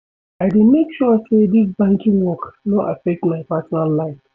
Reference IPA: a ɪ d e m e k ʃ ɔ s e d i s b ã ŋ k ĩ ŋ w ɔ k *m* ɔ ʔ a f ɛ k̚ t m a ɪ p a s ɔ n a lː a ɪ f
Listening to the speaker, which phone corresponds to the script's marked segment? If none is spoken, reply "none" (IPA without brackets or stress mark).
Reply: n